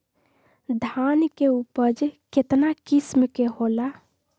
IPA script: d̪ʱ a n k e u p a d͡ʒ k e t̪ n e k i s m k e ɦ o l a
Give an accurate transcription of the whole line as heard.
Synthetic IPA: d̪ʱ a n k e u p ə d͡ʒ k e t̪ n a k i s m k e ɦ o l a